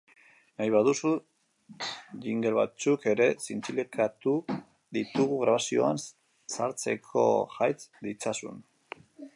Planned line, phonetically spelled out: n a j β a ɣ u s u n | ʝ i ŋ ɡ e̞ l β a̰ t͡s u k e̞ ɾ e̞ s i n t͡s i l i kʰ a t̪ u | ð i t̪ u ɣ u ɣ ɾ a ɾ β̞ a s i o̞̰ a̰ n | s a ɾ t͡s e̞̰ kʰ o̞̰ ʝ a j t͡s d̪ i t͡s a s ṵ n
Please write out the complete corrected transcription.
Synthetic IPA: n a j β a ð u s u | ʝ i ŋ ɡ e̞ l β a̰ t͡s u k e̞ ɾ e̞ s i n t͡s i l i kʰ a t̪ u | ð i t̪ u ɣ u ɣ ɾ a β̞ a s i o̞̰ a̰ n | s a ɾ t͡s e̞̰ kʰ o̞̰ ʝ a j t͡s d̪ i t͡s a s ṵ n